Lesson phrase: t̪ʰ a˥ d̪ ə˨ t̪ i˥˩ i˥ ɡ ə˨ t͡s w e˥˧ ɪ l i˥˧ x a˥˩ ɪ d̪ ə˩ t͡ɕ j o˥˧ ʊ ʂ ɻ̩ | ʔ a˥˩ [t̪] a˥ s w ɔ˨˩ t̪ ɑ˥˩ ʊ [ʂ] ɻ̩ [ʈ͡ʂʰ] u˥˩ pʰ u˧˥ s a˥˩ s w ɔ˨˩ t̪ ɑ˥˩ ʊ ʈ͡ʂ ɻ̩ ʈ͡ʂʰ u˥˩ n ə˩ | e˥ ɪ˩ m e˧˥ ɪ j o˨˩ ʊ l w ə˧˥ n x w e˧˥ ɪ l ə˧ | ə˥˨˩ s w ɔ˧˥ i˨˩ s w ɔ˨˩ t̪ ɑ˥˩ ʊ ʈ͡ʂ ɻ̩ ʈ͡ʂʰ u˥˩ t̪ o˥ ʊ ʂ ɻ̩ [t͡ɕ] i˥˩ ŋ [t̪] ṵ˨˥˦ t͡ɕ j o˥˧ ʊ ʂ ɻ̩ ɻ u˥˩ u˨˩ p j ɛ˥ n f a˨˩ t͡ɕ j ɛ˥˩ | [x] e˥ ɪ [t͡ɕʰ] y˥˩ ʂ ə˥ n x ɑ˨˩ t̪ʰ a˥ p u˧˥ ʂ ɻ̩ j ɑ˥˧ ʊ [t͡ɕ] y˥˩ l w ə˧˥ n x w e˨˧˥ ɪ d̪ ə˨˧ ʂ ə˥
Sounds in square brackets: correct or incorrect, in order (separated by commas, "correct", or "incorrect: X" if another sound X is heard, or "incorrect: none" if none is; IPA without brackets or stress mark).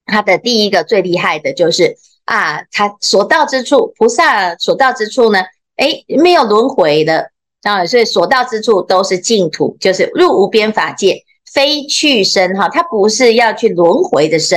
incorrect: t̪ʰ, incorrect: ʈ͡ʂ, correct, correct, incorrect: t̪ʰ, incorrect: f, correct, incorrect: t͡ɕʰ